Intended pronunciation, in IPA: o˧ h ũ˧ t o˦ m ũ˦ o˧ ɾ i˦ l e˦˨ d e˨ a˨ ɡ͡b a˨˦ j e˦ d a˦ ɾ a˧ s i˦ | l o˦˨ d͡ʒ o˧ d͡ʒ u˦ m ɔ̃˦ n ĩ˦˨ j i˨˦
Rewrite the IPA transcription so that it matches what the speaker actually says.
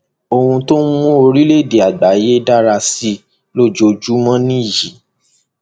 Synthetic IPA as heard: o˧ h ũ˧ t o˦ m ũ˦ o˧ ɾ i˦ l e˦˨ d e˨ a˨ ɡ͡b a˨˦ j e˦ d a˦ ɾ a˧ s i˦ | l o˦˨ d͡ʒ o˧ d͡ʒ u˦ m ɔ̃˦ n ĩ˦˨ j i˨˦